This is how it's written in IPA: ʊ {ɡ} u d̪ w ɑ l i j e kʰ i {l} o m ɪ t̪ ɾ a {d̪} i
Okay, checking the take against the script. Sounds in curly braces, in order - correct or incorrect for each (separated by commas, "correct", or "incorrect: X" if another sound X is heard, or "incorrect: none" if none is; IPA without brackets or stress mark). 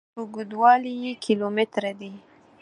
correct, correct, correct